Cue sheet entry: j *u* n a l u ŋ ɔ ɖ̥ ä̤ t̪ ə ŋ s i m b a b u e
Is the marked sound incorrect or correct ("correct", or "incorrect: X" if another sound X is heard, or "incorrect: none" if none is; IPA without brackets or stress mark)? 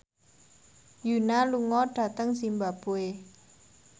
correct